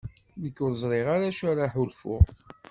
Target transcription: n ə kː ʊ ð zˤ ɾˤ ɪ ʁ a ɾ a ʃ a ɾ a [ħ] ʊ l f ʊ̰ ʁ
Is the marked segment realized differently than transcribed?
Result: no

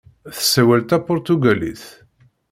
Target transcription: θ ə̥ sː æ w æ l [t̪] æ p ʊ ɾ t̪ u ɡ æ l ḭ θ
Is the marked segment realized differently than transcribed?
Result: no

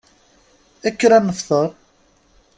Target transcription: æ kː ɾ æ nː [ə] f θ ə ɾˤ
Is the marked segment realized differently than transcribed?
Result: no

